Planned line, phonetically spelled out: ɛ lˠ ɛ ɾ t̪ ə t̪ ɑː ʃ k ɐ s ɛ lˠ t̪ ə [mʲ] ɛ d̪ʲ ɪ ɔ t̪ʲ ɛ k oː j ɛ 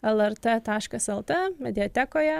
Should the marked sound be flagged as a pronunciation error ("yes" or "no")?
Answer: no